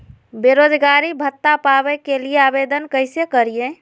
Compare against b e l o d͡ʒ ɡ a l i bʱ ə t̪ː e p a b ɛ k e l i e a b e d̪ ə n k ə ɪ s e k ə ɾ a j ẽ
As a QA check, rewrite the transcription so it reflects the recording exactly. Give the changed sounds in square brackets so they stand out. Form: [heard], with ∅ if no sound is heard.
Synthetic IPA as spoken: b e [ɾ] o d͡ʒ ɡ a [ɾ] i bʱ ə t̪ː [a] p a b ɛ k e l i e a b e d̪ ə n k ə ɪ s e k ə ɾ [i] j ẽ